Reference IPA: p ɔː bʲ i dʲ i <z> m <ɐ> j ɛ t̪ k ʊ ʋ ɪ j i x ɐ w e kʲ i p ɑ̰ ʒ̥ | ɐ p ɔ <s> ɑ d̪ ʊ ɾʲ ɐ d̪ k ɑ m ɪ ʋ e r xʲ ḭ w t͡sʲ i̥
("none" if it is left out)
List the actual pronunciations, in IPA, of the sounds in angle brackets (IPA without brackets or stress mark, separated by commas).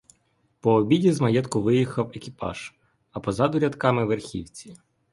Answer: z, ɐ, z